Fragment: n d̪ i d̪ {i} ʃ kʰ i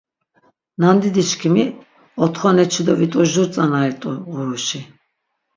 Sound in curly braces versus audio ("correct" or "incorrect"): correct